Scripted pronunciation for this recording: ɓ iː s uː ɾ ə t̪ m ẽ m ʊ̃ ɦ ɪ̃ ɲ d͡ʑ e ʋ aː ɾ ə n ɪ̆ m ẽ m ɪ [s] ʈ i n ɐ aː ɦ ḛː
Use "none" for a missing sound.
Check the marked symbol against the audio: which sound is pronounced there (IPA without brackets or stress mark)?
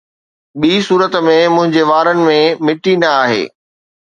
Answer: none